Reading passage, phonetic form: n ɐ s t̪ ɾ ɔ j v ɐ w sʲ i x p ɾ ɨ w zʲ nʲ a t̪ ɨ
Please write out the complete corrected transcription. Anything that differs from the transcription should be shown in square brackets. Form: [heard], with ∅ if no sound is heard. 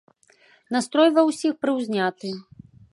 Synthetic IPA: n [a] s t̪ ɾ ɔ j v ɐ w sʲ i x p ɾ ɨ w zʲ nʲ a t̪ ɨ